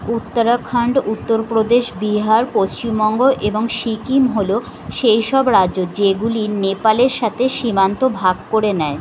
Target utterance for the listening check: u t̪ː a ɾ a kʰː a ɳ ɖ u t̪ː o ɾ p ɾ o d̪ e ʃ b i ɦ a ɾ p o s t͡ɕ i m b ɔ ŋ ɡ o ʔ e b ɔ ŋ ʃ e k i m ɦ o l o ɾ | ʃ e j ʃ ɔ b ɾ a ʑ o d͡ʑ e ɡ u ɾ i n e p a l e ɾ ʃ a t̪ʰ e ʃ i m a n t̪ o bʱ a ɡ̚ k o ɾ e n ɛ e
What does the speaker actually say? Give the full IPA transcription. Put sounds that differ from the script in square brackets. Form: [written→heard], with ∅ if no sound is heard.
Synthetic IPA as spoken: u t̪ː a ɾ a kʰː a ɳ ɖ u t̪ː o ɾ p ɾ o d̪ e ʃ b i ɦ a ɾ p o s t͡ɕ i m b ɔ ŋ ɡ o ʔ e b [ɔ→o] ŋ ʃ [e→i] k i m ɦ o l o [ɾ→∅] | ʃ e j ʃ ɔ b ɾ a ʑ o d͡ʑ e ɡ u [ɾ→l] i n e p a l e ɾ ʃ a t̪ʰ e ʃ i m a n t̪ o bʱ a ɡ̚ k o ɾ e n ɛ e